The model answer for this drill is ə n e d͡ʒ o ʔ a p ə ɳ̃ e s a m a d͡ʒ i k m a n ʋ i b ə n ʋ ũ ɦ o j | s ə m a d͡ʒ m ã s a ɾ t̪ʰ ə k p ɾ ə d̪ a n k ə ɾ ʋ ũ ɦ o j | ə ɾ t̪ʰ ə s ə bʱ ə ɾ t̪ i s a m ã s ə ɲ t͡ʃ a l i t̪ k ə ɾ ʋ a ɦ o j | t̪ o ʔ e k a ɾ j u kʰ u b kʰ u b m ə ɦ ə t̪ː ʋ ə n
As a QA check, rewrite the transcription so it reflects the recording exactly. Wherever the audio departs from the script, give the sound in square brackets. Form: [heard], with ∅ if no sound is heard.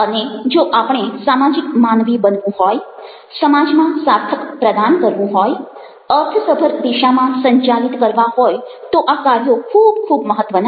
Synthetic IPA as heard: ə n e d͡ʒ o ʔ a p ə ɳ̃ e s a m a d͡ʒ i k m a n ʋ i b ə n ʋ ũ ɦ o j | s ə m a d͡ʒ m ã s a ɾ t̪ʰ ə k p ɾ ə d̪ a n k ə ɾ ʋ ũ ɦ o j | ə ɾ t̪ʰ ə s ə bʱ ə ɾ [d̪] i [ʃ] a m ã s ə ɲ t͡ʃ a l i t̪ k ə ɾ ʋ a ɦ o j | t̪ o ʔ [a] k a ɾ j [o] kʰ u b kʰ u b m ə ɦ ə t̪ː ʋ ə n